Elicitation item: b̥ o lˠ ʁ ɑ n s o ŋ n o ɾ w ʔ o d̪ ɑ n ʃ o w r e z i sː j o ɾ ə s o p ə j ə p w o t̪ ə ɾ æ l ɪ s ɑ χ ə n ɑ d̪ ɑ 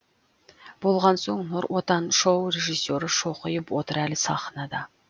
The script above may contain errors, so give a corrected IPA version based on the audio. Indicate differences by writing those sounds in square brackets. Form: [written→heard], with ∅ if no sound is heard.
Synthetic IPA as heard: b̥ o lˠ ʁ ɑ n s o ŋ n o ɾ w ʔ o [d̪→t̪] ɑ n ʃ o w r e [z→ʒ] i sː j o ɾ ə [s→ʃ] o [p→q] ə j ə p w o t̪ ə ɾ æ l ɪ s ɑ χ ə n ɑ d̪ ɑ